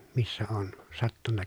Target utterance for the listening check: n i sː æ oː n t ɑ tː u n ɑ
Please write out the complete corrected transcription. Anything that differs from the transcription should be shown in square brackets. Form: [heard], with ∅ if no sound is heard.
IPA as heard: [m] i sː æ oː n [s] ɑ tː u [nː] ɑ